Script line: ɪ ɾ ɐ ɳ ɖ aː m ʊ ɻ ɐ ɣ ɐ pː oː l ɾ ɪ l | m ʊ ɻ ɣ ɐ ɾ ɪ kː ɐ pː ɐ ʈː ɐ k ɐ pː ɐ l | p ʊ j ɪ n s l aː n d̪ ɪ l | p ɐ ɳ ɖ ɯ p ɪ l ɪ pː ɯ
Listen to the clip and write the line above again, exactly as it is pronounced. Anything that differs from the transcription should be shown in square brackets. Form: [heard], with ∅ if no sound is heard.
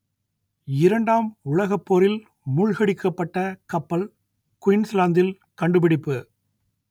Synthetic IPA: ɪ ɾ ɐ ɳ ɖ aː m ʊ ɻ ɐ ɣ ɐ pː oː [∅] ɾ ɪ l | m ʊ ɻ ɣ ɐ [ɽ] ɪ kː ɐ pː ɐ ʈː ɐ k ɐ pː ɐ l | [k] ʊ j ɪ n s l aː n d̪ ɪ l | [k] ɐ ɳ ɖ ɯ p ɪ [ɽ] ɪ pː ɯ